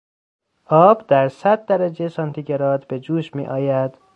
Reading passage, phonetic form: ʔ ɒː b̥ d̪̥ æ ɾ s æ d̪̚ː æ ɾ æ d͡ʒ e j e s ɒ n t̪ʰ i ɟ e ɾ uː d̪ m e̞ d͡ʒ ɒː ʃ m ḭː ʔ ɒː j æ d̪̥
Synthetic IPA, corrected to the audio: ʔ ɒː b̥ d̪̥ æ ɾ s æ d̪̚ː æ ɾ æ d͡ʒ e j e s ɒ n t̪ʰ i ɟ e ɾ ɒː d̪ b e̞ d͡ʒ uː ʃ m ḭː ʔ ɒː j æ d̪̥

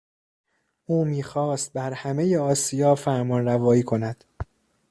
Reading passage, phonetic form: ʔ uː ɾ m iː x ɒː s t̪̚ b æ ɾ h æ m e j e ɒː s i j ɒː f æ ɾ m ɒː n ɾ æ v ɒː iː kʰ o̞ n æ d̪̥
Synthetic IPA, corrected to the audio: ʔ uː m iː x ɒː s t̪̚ b æ ɾ h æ m e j e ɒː s i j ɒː f æ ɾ m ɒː n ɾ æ v ɒː iː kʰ o̞ n æ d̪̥

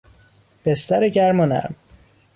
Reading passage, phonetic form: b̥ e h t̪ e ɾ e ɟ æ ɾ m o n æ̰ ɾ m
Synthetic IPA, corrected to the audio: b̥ e s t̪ æ ɾ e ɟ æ ɾ m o n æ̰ ɾ m

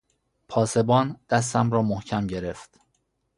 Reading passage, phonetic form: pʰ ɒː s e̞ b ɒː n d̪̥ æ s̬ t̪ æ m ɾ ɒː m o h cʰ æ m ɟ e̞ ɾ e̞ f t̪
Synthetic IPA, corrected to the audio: pʰ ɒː s e̞ b ɒː n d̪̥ æ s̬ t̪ æ m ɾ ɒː m o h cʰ æ m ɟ e̞ ɾ e̞ f t̪

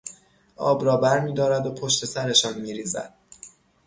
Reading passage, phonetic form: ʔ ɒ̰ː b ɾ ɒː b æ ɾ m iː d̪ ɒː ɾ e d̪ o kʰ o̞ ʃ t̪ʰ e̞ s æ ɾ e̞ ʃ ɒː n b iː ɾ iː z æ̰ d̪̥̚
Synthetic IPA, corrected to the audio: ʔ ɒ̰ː b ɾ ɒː b æ ɾ m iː d̪ ɒː ɾ æ d̪ o pʰ o̞ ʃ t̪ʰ e̞ s æ ɾ e̞ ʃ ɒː n m iː ɾ iː z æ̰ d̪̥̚

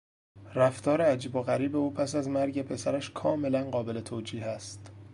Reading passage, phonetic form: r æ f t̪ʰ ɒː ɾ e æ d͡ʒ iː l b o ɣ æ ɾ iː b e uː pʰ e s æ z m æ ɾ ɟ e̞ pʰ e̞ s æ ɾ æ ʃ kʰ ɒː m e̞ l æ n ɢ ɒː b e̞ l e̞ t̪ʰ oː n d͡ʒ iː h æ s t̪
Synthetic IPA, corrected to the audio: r æ f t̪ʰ ɒː ɾ e æ d͡ʒ iː b o ɣ æ ɾ iː b e uː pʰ æ s æ z m æ ɾ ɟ e̞ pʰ e̞ s æ ɾ æ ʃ kʰ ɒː m e̞ l æ n ɢ ɒː b e̞ l e̞ t̪ʰ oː d͡ʒ iː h æ s t̪

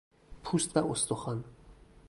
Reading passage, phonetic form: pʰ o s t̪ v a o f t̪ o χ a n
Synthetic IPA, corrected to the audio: pʰ u s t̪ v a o s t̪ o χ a n

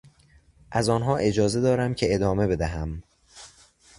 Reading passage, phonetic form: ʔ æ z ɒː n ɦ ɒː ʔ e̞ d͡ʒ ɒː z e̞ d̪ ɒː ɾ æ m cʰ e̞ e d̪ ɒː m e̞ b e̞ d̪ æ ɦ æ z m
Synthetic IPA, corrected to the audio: ʔ æ z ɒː n ɦ ɒː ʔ e̞ d͡ʒ ɒː z e̞ d̪ ɒː ɾ æ m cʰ e̞ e d̪ ɒː m e̞ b e̞ d̪ æ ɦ æ m

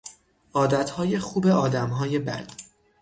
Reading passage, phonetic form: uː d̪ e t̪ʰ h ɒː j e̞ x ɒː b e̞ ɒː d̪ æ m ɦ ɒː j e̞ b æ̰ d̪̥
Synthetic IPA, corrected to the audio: ɒː d̪ æ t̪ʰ h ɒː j e̞ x uː b e̞ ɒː d̪ æ m ɦ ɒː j e̞ b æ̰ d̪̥

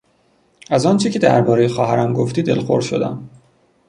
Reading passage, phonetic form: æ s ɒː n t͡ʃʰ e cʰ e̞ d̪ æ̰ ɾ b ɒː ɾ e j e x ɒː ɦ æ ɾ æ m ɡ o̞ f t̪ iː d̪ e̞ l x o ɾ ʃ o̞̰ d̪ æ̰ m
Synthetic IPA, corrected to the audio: æ z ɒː n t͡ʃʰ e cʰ e̞ d̪ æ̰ ɾ b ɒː ɾ e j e x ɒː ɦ æ ɾ æ m ɡ o̞ f t̪ iː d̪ e̞ l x o ɾ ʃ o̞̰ d̪ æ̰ m

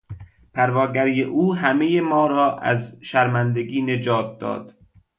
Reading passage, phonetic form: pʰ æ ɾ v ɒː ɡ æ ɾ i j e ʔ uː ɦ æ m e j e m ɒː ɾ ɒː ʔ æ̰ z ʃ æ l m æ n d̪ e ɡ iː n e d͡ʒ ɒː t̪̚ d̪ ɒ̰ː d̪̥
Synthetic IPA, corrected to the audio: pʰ æ ɾ v ɒː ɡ æ ɾ i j e ʔ uː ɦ æ m e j e m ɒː ɾ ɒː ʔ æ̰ z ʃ æ ɾ m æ n d̪ e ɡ iː n e d͡ʒ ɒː t̪̚ d̪ ɒ̰ː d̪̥

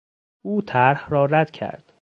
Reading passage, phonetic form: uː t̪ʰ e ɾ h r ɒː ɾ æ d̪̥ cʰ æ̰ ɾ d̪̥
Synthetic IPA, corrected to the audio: uː t̪ʰ æ ɾ h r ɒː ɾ æ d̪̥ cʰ æ̰ ɾ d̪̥

